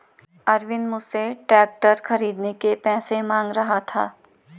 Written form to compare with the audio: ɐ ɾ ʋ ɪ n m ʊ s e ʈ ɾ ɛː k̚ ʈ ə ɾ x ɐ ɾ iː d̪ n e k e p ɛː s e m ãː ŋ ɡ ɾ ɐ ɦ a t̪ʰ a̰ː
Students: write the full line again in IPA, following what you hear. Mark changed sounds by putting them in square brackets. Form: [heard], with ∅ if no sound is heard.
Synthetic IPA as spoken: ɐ ɾ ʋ ɪ n m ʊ s e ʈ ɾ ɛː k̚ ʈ ə ɾ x ɐ ɾ iː d̪ n e k e p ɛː s e m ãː ŋ ɡ ɾ ɐ ɦ a t̪ʰ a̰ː